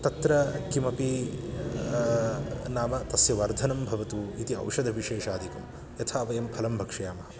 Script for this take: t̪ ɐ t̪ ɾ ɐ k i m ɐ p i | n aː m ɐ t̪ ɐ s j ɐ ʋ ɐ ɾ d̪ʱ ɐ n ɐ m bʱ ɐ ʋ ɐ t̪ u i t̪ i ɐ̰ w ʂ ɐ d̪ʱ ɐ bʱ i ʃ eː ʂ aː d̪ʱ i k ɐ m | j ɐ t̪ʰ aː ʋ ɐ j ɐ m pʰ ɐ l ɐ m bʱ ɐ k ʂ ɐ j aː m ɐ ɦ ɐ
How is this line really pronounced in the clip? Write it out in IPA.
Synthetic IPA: t̪ ɐ t̪ ɾ ɐ k i m ɐ p i | n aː m ɐ t̪ ɐ s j ɐ ʋ ɐ ɾ d̪ʱ ɐ n ɐ m bʱ ɐ ʋ ɐ t̪ u i t̪ i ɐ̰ w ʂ ɐ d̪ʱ ɐ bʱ i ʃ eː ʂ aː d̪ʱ i k ɐ m | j ɐ t̪ʰ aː ʋ ɐ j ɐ m pʰ ɐ l ɐ m bʱ ɐ k ʂ ɐ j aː m ɐ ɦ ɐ